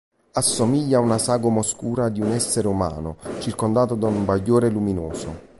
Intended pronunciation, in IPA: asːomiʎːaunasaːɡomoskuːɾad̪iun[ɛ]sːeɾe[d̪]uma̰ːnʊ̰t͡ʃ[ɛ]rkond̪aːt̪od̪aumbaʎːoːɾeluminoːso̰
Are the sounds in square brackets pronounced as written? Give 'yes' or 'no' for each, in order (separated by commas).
yes, no, no